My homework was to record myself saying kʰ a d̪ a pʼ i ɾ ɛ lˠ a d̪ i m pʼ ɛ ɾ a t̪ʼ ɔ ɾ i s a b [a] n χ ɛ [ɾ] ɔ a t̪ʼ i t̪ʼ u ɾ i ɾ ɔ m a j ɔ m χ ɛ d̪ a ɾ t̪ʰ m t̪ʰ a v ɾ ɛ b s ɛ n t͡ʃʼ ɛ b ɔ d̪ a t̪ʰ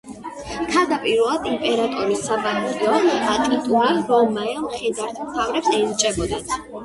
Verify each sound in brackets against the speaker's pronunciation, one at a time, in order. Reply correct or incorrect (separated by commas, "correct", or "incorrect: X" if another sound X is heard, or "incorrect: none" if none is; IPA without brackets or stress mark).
correct, incorrect: none